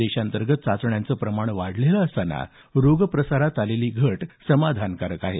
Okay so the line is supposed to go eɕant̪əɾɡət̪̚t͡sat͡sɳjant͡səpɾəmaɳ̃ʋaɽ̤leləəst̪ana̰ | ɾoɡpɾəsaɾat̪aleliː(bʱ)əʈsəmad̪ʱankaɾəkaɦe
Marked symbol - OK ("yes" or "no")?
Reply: no